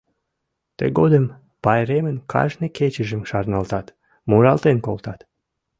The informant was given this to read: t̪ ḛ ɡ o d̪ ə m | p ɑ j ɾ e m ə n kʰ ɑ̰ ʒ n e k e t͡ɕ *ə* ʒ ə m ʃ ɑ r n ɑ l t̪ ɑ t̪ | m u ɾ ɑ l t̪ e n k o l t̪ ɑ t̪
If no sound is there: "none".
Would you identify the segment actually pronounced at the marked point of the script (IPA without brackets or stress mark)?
ə